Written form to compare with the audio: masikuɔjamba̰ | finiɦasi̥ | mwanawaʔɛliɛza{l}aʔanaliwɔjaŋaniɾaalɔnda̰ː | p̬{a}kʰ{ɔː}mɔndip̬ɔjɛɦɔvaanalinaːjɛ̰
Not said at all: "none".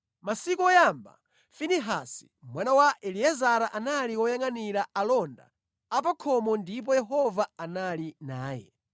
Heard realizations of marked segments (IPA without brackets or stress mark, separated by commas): ɾ, a, ɔ